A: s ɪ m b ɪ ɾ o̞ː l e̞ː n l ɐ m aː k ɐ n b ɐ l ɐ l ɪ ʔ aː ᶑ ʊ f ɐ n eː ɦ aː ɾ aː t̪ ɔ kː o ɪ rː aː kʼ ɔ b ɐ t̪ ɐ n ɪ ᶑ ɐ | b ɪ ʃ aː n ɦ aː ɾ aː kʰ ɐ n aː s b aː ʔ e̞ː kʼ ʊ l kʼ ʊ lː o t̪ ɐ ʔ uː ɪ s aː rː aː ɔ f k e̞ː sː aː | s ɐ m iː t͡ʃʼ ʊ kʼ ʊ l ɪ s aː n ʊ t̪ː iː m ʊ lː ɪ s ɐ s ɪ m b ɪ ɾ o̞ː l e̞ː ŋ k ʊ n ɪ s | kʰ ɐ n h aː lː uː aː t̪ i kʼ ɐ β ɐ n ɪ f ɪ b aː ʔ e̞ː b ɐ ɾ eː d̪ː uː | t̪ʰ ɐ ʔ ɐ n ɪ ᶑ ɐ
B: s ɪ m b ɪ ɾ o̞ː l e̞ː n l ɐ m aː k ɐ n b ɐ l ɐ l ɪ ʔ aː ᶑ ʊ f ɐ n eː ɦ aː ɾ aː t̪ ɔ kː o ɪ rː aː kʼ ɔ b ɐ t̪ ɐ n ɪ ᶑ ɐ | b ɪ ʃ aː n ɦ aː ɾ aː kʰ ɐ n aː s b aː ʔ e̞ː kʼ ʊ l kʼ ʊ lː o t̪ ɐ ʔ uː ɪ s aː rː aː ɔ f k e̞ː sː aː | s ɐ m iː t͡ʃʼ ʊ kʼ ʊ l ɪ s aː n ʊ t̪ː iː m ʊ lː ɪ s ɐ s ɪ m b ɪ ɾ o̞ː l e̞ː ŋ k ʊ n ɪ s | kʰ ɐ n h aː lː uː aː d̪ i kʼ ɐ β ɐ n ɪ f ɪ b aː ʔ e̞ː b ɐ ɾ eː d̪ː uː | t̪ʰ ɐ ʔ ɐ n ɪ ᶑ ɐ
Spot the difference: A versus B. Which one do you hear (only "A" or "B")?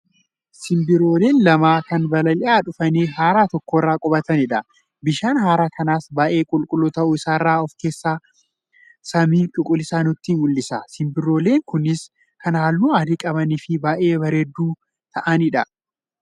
B